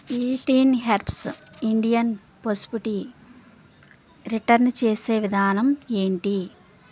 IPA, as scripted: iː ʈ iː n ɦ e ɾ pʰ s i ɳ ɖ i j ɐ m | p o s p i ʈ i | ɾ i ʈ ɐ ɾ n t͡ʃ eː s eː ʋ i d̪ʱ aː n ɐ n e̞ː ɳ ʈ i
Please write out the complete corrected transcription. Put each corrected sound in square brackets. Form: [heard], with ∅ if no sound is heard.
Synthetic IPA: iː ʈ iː n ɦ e ɾ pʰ s i ɳ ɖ i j ɐ [n] | p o s p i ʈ i | ɾ i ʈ ɐ ɾ n t͡ʃ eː s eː ʋ i d̪ʱ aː n ɐ [m] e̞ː ɳ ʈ i